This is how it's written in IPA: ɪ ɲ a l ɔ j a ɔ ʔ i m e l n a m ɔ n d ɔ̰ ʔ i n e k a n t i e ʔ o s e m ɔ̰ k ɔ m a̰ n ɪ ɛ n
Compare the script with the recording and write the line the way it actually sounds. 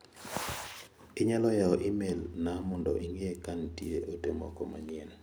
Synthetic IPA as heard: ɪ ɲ a l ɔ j a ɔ ʔ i m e l n a m ɔ n d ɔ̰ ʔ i ŋ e k a n t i e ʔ o t e m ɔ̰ k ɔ m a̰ ɲ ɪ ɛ n